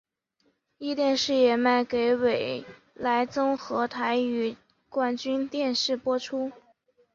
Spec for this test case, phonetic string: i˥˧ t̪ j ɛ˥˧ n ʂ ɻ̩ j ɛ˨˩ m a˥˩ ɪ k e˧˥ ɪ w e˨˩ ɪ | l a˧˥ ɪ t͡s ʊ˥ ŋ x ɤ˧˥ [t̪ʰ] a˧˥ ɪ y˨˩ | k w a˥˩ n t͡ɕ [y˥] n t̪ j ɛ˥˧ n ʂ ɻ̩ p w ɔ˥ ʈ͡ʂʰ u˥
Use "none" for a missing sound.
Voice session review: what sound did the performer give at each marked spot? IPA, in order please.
t̪ʰ, y˥

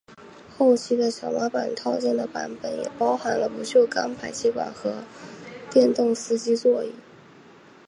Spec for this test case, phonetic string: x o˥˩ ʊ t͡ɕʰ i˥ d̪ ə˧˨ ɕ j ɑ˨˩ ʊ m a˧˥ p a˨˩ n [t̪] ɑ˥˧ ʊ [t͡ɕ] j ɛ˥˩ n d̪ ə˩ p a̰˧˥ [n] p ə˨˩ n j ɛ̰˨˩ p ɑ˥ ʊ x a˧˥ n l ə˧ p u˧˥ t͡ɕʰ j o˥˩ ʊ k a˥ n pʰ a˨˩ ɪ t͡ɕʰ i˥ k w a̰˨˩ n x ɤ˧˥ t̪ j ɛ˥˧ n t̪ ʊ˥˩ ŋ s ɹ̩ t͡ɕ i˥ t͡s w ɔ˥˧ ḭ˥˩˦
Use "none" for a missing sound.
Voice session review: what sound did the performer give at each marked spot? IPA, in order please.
t̪ʰ, t͡ɕ, n

